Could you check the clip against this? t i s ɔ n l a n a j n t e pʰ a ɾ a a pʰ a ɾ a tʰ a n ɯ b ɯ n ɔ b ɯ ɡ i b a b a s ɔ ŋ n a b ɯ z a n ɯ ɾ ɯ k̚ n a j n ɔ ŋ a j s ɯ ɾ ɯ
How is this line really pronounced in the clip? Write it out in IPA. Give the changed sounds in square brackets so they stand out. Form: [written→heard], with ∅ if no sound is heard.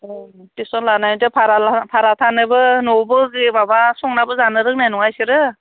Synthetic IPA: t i s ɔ n l a n a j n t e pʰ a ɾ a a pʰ a ɾ a tʰ a n ɯ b ɯ n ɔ b ɯ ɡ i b a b a s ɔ ŋ n a b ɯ z a n ɯ ɾ ɯ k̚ n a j n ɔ ŋ a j s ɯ ɾ ɯ